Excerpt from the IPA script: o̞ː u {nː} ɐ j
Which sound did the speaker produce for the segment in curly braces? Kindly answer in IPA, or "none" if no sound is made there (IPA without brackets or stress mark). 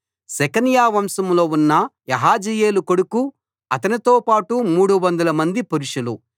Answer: nː